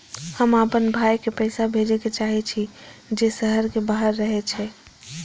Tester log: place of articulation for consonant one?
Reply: glottal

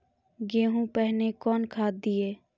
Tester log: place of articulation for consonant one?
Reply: velar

